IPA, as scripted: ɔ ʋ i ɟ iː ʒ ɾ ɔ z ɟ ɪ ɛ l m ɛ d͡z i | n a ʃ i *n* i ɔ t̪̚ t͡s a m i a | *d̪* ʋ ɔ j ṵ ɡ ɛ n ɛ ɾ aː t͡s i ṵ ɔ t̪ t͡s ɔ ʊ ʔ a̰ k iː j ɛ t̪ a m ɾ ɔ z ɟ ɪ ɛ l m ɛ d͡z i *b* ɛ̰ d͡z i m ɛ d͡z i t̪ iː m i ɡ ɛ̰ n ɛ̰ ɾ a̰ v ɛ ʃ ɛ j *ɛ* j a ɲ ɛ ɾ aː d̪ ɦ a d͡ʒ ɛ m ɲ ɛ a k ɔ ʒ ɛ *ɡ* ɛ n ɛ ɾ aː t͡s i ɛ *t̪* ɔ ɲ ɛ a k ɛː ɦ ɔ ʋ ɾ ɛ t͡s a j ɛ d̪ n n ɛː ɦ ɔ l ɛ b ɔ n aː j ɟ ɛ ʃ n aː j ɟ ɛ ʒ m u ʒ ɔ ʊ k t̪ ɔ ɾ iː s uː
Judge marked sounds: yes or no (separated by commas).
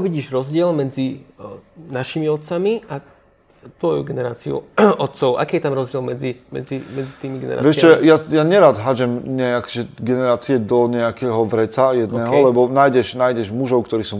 no, no, no, no, yes, no